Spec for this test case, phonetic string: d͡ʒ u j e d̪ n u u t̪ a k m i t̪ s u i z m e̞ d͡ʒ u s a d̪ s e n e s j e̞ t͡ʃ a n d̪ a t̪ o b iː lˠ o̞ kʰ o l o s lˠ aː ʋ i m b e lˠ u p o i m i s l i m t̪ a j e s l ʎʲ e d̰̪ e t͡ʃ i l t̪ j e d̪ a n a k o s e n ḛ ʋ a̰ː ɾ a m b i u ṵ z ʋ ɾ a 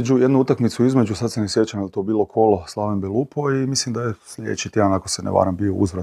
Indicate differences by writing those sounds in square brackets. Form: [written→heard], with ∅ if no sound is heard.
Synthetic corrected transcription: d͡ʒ u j e d̪ n u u t̪ a k m i t̪ s u i z m e̞ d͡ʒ u s a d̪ s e n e s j e̞ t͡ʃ a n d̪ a t̪ o b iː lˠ o̞ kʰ o l o s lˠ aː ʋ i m b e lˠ u p o i m i s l i m [t̪→d̪] a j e s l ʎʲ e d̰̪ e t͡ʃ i [l→∅] t̪ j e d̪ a n a k o s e n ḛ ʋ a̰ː ɾ a m b i [u→o] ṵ z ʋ ɾ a